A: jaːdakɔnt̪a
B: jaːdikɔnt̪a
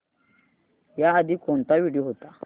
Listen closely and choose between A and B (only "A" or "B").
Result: B